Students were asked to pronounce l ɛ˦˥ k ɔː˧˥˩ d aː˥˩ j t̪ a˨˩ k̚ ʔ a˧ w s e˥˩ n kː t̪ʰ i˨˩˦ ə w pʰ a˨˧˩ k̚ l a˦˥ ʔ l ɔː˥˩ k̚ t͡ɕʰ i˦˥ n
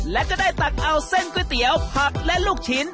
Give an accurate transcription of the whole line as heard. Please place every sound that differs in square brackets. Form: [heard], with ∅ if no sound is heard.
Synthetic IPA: l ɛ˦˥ k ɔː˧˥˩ d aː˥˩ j t̪ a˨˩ k̚ ʔ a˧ w s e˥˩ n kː [t̪] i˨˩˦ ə w pʰ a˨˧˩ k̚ l [ɛ˦˥] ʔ l [uː˥˩] k̚ t͡ɕʰ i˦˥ n